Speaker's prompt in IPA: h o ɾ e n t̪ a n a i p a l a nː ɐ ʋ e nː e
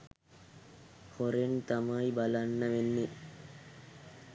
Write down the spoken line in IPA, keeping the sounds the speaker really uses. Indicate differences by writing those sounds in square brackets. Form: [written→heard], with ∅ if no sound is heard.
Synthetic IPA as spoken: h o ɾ e n t̪ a [n→m] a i [p→b] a l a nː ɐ ʋ e nː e